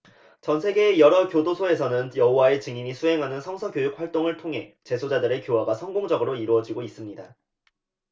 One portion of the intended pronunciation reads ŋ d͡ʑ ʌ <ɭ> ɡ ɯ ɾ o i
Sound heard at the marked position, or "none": none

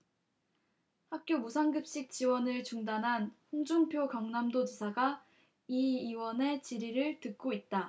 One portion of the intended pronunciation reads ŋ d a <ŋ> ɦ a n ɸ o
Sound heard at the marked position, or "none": n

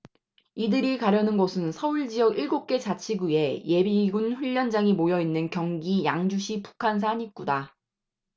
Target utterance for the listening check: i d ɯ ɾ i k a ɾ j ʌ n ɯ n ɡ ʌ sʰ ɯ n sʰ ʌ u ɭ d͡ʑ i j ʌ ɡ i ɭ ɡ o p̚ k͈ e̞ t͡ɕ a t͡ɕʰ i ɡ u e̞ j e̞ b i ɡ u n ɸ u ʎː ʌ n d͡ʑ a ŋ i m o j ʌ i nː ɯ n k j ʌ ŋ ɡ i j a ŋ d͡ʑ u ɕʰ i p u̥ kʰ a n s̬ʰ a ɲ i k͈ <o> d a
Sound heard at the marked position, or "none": u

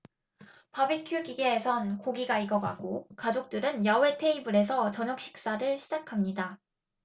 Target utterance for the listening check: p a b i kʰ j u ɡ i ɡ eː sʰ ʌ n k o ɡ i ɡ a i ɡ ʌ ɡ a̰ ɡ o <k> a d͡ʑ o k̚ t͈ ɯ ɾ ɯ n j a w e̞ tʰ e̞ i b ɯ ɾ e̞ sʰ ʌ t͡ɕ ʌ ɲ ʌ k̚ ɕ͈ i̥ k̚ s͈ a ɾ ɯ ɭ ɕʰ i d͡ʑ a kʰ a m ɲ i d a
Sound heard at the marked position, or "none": k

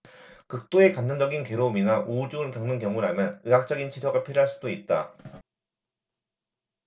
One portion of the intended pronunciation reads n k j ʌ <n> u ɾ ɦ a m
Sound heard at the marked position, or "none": ŋ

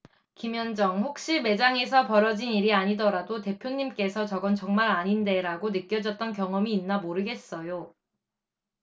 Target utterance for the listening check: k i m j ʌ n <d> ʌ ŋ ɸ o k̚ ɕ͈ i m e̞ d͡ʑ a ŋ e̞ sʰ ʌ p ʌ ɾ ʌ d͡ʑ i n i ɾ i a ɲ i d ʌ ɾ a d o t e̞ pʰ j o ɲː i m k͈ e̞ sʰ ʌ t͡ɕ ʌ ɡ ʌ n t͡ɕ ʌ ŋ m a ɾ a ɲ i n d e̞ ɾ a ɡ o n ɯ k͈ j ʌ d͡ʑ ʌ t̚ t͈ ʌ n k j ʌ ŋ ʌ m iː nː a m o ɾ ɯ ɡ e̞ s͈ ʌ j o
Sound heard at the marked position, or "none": d͡ʑ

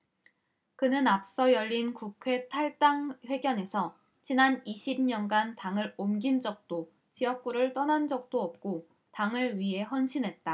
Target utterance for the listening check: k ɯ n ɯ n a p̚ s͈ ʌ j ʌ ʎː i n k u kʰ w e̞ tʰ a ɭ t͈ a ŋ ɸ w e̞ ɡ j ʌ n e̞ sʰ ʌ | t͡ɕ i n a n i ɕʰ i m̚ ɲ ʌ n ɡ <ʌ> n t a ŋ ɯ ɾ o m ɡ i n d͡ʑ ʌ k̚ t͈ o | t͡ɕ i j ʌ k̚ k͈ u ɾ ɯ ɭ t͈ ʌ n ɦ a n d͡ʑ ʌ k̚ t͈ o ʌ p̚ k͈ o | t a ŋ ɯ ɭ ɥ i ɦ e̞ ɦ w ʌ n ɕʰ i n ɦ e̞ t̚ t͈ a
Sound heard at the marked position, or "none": a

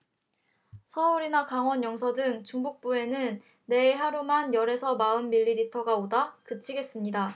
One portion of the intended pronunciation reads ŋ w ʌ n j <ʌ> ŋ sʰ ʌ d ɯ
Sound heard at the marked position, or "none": ʌ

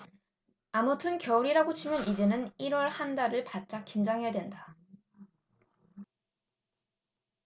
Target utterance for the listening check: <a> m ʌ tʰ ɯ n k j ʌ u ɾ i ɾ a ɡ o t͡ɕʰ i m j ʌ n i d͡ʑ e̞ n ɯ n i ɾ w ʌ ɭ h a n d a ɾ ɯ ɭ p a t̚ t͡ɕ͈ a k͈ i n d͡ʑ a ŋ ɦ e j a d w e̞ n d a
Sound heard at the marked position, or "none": a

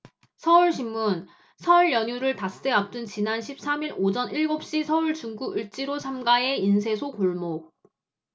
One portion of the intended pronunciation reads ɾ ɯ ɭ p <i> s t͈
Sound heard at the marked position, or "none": a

